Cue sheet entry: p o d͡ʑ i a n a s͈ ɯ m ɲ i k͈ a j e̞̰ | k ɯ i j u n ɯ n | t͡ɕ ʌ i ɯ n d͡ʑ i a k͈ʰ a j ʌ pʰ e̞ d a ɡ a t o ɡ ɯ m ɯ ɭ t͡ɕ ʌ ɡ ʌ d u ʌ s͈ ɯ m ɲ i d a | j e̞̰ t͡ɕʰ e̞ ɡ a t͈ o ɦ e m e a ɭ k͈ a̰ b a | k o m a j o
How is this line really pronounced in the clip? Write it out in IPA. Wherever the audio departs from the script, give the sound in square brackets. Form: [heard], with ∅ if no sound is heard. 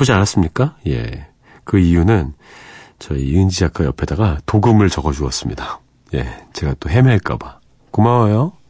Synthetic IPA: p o d͡ʑ i a n a s͈ ɯ m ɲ i k͈ a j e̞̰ | k ɯ i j u n ɯ n | t͡ɕ ʌ i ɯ n d͡ʑ i a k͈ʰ a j ʌ pʰ e̞ d a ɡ a t o ɡ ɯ m ɯ ɭ t͡ɕ ʌ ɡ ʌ [d͡ʑ] u ʌ s͈ ɯ m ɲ i d a | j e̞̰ [t͡ɕ] e̞ ɡ a t͈ o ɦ e m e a ɭ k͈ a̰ b a | k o m a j o